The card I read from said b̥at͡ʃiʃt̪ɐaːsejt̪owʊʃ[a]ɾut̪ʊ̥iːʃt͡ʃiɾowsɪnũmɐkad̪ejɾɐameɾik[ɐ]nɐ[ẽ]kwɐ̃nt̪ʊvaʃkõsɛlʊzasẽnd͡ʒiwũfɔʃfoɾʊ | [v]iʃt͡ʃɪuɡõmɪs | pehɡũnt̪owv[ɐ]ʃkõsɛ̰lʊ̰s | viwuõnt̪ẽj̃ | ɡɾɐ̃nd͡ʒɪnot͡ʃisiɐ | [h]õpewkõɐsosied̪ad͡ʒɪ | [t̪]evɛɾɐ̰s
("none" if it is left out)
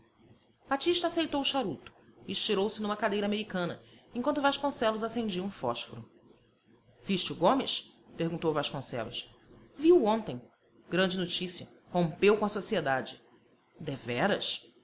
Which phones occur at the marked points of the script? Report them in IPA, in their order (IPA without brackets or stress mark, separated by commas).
a, ɐ̃, ẽ, v, a, h, d̪